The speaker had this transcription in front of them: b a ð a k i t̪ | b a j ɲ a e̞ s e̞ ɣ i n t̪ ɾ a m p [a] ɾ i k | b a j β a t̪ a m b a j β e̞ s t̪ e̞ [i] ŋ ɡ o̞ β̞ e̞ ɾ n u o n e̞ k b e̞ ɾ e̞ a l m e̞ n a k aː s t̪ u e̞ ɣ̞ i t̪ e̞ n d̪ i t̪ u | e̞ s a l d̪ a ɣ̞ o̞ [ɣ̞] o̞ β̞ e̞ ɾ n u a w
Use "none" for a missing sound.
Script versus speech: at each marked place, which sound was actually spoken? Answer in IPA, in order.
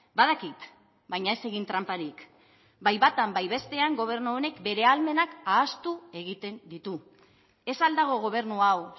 a, a, ɣ̞

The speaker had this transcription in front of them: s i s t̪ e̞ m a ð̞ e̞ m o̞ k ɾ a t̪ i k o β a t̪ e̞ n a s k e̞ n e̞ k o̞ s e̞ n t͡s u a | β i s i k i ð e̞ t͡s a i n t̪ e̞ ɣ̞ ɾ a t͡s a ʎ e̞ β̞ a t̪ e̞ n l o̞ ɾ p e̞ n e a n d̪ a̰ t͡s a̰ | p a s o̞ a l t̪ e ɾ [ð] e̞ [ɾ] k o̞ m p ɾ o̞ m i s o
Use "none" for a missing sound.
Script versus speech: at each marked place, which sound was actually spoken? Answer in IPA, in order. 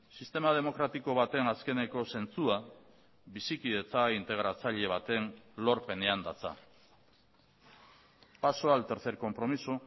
θ, ɾ

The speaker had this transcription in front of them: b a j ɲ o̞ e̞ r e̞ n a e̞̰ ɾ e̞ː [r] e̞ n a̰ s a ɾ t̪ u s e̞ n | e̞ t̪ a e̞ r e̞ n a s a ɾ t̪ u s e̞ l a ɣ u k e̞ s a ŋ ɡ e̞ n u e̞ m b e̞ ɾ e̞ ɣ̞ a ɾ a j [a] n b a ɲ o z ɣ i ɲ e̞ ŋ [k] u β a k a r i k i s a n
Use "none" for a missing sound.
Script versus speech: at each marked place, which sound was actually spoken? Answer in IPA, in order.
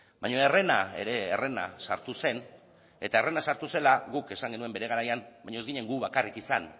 r, a, ɡ

